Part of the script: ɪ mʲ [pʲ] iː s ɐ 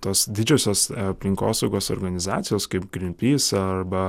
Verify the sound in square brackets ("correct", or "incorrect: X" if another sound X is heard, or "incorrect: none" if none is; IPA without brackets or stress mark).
correct